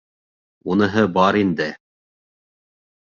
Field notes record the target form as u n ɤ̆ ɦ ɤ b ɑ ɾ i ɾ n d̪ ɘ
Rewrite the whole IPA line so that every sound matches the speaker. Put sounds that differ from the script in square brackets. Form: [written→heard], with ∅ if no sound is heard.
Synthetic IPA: u n ɤ̆ ɦ ɤ b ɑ ɾ i [ɾ→∅] n d̪ ɘ